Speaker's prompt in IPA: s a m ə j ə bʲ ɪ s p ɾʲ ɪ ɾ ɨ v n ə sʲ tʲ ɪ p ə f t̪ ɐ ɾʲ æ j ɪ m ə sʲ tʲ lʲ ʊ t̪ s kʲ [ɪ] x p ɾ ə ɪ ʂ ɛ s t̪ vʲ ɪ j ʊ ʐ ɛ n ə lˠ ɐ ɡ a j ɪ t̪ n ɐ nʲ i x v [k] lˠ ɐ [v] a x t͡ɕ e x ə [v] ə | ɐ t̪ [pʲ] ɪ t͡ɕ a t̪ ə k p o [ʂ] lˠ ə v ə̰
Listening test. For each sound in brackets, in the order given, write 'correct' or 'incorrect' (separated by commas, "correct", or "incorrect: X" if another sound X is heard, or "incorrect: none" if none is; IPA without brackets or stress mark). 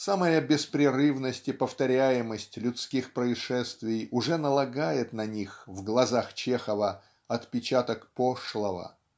incorrect: i, incorrect: ɡ, incorrect: z, correct, correct, correct